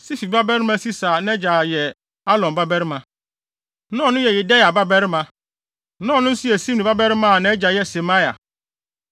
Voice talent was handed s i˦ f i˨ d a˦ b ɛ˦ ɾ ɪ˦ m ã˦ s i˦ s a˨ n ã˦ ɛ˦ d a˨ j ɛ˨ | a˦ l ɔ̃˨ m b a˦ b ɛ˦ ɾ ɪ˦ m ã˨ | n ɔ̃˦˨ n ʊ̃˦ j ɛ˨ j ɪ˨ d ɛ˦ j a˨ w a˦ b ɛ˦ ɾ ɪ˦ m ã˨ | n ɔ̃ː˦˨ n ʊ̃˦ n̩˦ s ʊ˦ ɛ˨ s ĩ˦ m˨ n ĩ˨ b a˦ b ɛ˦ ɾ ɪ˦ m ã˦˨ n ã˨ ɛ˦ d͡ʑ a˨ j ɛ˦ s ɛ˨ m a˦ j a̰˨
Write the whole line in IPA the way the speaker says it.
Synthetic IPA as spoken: s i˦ f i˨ b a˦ b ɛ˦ ɾ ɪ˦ m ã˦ s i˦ s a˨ n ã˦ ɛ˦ d͡ʑ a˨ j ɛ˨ | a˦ l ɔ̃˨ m b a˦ b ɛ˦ ɾ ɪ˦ m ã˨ | n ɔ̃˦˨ n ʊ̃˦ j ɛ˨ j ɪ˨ d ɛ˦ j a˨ b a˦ b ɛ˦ ɾ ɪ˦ m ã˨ | n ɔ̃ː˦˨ n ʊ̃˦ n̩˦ s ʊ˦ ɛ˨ s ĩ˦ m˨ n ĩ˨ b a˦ b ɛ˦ ɾ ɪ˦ m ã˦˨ n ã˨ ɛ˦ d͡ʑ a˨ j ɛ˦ s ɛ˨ m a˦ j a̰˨